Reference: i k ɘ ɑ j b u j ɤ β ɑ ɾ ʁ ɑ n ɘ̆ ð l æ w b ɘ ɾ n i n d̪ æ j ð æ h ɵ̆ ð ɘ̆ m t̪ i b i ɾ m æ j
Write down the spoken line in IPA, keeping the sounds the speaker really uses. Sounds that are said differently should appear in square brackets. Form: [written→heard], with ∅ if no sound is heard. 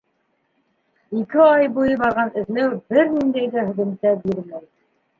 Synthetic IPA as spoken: i k ɘ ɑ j b u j ɤ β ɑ ɾ ʁ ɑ n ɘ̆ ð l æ w b ɘ ɾ n i n d̪ æ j ð æ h ɵ̆ ð ɘ̆ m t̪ [i→æ] b i ɾ m æ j